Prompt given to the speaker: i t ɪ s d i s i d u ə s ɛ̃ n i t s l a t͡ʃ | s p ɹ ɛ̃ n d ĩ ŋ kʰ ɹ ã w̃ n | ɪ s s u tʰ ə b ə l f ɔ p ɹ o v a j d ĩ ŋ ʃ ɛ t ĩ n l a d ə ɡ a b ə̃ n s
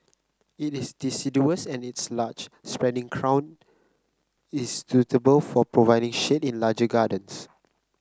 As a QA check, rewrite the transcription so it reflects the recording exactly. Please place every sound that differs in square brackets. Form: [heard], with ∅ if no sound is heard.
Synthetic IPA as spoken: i t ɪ s d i s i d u ə s ɛ̃ n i t s l a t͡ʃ | s p ɹ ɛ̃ n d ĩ ŋ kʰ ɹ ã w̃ n | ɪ s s u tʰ ə b ə l f ɔ p ɹ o v a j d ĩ ŋ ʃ [e] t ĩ n l a [d͡ʒ] ə ɡ a [d] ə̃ n s